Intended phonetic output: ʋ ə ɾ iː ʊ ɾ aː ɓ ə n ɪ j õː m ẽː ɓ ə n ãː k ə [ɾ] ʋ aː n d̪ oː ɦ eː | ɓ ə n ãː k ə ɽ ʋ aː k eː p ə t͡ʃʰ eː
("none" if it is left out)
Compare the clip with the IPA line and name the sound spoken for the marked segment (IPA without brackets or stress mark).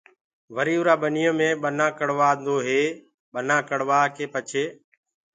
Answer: ɽ